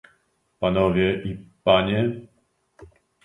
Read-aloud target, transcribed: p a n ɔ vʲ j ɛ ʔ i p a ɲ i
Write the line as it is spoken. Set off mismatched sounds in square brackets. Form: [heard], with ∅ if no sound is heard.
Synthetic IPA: p a n ɔ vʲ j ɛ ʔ i p a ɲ [ɛ]